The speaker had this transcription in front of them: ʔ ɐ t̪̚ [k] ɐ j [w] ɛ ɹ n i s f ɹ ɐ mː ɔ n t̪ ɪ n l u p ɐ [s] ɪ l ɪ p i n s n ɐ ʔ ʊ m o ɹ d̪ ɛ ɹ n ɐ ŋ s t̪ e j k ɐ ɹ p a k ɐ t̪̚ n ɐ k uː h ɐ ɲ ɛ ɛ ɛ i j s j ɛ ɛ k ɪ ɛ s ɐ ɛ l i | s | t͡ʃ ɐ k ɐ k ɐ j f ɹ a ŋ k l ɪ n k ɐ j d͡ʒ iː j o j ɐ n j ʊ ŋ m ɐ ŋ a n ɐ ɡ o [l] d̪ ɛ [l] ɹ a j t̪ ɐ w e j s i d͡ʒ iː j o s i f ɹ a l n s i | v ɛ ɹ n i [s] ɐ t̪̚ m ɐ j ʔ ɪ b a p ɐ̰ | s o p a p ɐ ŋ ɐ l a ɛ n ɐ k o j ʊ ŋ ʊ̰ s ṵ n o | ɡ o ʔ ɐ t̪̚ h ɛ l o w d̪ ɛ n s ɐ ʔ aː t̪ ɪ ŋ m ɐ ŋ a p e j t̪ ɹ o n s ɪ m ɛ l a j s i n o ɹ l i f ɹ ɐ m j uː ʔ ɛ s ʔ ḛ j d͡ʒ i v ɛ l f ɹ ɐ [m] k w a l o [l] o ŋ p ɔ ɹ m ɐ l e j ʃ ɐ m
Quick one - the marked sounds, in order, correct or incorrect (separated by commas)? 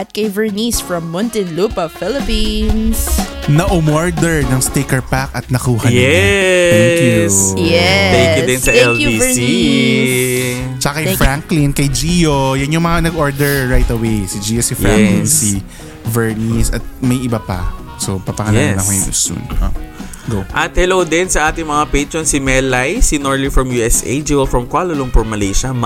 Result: correct, incorrect, incorrect, incorrect, incorrect, correct, correct, correct